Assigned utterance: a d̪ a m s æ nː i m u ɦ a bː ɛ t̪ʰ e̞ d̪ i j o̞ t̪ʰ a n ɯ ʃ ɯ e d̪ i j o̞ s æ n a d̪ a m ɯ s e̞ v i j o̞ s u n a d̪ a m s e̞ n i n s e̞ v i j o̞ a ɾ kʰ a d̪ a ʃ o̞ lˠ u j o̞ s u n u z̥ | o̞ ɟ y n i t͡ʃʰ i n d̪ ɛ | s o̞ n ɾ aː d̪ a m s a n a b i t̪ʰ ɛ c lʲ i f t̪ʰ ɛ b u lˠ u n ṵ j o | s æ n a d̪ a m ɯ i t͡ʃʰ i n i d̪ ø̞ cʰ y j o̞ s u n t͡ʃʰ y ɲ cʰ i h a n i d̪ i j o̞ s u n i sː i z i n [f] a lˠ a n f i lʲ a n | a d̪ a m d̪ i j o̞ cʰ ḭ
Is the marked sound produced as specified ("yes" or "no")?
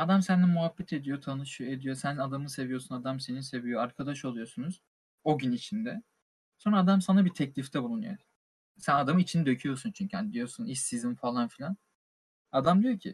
yes